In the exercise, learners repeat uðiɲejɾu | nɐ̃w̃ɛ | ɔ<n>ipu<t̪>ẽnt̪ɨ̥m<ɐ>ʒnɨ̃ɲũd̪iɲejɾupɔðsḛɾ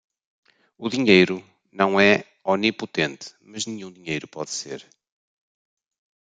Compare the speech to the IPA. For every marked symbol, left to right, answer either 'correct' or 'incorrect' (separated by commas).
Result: correct, correct, correct